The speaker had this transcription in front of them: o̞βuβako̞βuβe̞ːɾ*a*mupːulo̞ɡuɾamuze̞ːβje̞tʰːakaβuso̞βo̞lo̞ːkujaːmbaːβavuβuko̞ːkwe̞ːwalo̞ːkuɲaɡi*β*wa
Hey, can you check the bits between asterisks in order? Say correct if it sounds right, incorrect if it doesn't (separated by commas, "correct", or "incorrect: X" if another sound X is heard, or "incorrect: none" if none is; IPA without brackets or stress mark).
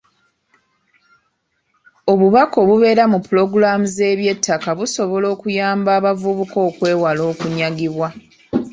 correct, correct